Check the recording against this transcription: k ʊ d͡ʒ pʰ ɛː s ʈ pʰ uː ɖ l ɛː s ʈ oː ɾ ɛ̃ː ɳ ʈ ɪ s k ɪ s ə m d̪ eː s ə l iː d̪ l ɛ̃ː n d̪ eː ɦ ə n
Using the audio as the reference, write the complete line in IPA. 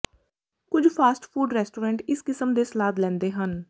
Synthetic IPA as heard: k ʊ d͡ʒ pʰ aː s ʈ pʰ uː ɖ ɾ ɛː s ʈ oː ɾ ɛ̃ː ɳ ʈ ɪ s k ɪ s ə m d̪ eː s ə l aː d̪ l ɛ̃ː n d̪ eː ɦ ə n